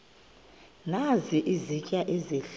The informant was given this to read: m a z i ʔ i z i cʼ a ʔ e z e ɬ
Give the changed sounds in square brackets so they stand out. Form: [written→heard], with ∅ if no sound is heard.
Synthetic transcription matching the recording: [m→n] a z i ʔ i z i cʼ a ʔ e z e ɬ